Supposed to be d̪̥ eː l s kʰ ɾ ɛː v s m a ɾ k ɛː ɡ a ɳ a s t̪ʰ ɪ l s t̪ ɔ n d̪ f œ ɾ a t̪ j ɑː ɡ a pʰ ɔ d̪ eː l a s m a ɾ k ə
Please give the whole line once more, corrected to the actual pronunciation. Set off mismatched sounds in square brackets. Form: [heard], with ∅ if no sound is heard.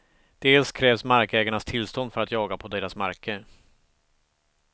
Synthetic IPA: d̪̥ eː l s kʰ ɾ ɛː v s m a ɾ k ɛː ɡ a ɳ a s t̪ʰ ɪ l s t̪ ɔ n d̪ f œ ɾ a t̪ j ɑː ɡ a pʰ ɔ d̪ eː [ɾ] a s m a ɾ k ə